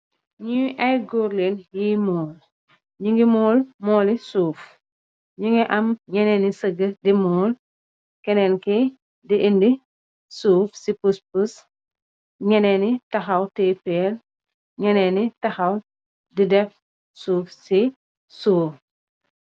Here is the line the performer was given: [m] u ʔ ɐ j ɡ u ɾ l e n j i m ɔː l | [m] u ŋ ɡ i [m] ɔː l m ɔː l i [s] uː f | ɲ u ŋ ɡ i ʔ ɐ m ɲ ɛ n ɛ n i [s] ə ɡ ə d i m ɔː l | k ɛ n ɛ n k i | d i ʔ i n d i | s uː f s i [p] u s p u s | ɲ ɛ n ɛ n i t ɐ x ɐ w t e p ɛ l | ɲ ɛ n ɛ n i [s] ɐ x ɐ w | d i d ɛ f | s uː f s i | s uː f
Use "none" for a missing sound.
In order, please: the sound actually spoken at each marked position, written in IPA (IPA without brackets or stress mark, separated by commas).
ɲ, ɲ, m, s, s, p, t